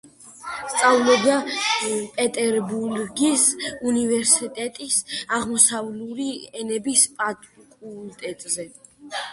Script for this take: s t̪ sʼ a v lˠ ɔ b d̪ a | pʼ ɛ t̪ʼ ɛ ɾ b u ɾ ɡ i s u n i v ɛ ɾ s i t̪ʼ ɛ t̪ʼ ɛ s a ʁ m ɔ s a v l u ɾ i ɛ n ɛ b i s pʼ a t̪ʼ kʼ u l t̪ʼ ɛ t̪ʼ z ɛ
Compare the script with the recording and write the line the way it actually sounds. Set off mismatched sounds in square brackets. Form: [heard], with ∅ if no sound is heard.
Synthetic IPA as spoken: s t̪ sʼ a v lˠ ɔ b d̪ a | pʼ ɛ t̪ʼ ɛ ɾ b u ɾ ɡ i s u n i v ɛ ɾ s i t̪ʼ ɛ t̪ʼ [i] s a ʁ m ɔ s a v l u ɾ i ɛ n ɛ b i s pʼ a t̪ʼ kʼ u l t̪ʼ ɛ t̪ʼ z ɛ